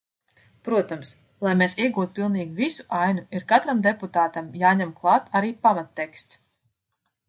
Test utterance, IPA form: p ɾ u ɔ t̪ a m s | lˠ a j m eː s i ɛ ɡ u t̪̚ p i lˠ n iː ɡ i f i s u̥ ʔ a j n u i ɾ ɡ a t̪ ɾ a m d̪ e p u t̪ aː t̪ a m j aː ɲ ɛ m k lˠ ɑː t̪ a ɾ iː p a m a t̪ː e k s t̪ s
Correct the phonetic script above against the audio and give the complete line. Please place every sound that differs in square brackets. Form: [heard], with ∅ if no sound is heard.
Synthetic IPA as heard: p ɾ u ɔ t̪ a m s | lˠ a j m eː s i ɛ ɡ [uː] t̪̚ p i lˠ n iː ɡ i [v] i s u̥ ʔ a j n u i ɾ [k] a t̪ ɾ a m d̪ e p u t̪ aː t̪ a m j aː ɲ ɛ m k lˠ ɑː t̪ a ɾ iː p a m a t̪ː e k s t̪ s